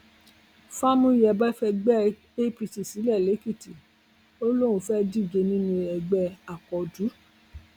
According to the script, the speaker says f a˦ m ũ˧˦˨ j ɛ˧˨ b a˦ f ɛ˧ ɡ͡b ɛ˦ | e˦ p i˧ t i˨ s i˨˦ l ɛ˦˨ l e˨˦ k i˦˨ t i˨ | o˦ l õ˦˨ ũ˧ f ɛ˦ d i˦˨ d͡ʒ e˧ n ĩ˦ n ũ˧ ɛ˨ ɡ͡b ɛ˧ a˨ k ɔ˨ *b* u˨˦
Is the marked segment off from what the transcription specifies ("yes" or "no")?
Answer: yes